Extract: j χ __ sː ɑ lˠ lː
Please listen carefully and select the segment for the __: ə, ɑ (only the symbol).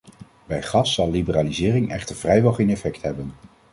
ɑ